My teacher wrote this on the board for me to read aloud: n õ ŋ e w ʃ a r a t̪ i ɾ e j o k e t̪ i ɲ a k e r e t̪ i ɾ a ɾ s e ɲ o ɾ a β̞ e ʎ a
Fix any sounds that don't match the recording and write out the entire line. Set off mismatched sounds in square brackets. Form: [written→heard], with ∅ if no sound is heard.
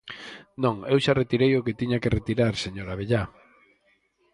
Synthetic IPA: n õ ŋ e w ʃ a r [a→e] t̪ i ɾ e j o k e t̪ i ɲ a k e r e t̪ i ɾ a ɾ s e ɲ o ɾ a β̞ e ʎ a

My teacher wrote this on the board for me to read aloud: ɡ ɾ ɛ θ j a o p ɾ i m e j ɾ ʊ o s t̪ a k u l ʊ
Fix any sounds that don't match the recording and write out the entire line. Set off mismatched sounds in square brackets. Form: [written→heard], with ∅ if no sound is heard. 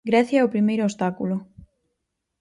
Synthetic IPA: ɡ ɾ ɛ θ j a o p ɾ i m e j ɾ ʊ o s t̪ a k u l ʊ

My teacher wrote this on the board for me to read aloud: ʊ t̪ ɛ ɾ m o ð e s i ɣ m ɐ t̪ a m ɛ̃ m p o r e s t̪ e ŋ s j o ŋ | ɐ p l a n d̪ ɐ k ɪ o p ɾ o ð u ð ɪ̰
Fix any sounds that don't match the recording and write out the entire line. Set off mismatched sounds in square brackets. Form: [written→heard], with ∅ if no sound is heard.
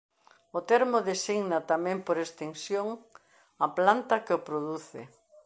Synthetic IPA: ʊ t̪ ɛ ɾ m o ð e s i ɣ [m→n] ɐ t̪ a m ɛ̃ m p o [r→ɾ] e s t̪ e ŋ s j o ŋ | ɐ p l a n [d̪→t̪] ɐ k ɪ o p ɾ o ð u [ð→θ] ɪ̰

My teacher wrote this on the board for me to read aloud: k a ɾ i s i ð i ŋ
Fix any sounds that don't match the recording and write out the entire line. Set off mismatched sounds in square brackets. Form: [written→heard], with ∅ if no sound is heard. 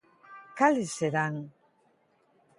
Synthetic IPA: k a [ɾ→l] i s [i→e] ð [i→a] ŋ

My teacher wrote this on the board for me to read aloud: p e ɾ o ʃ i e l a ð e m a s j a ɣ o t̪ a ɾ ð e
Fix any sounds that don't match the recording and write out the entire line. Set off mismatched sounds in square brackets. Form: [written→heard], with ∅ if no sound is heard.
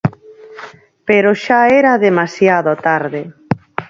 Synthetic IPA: p e ɾ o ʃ [i→a] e [l→ɾ] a ð e m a s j a [ɣ→ð] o t̪ a ɾ ð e

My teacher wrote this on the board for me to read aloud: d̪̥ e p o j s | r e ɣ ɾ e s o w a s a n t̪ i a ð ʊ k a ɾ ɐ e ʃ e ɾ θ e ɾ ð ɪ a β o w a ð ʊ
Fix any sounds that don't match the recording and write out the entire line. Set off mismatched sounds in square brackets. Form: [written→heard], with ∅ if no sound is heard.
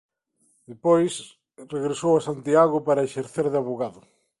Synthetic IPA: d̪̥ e p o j s | r e ɣ ɾ e s o w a s a n t̪ i a [ð→ɣ] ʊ [k→p] a ɾ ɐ e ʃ e ɾ θ e ɾ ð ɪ a β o [w→ɣ] a ð ʊ

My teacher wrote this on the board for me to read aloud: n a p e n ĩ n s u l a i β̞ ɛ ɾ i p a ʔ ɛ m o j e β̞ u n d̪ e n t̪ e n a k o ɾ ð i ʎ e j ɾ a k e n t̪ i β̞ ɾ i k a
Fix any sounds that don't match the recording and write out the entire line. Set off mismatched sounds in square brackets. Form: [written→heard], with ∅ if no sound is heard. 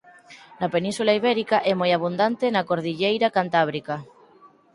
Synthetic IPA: n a p e n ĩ n s u l a i β̞ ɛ ɾ i [p→k] a ʔ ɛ m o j [e→a] β̞ u n d̪ [e→a] n t̪ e n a k o ɾ ð i ʎ e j ɾ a k [e→a] n t̪ [i→a] β̞ ɾ i k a

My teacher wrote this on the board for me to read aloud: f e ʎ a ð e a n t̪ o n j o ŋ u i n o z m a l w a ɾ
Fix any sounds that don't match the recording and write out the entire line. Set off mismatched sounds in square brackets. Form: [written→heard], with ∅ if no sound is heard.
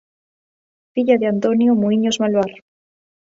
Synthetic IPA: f [e→i] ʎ a ð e a n t̪ o n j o [ŋ→m] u i [n→ɲ] o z m a l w a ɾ

